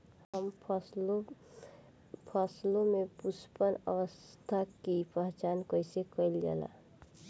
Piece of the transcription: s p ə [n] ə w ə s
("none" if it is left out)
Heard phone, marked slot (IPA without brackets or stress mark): n